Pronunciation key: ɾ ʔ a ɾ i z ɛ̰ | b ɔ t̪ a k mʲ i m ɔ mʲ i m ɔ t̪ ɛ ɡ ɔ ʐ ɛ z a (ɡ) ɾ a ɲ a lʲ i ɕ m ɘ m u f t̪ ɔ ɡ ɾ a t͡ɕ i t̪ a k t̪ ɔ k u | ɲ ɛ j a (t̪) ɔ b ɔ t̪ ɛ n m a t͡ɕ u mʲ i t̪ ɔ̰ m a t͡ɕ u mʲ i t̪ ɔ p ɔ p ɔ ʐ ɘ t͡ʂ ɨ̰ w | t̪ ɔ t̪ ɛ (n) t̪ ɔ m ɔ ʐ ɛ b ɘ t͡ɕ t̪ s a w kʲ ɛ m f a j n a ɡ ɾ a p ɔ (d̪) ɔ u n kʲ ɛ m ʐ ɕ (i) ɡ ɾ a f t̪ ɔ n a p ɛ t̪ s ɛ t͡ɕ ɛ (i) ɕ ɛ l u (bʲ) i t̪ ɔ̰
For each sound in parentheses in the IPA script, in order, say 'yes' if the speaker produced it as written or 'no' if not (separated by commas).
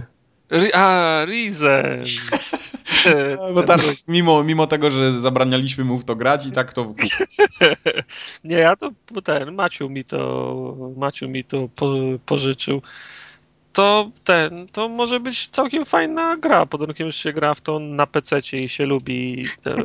no, yes, yes, yes, no, yes, yes